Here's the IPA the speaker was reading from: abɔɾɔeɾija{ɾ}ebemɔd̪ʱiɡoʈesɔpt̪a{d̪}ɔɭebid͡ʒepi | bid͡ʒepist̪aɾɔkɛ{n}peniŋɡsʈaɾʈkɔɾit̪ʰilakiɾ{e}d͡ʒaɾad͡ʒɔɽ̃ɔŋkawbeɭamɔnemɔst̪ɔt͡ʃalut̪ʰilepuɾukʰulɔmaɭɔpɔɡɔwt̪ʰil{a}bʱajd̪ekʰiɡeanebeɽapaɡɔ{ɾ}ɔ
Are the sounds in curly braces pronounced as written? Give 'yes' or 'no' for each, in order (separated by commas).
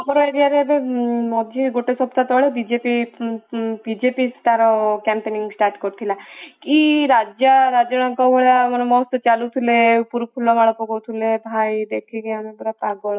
yes, no, no, no, no, no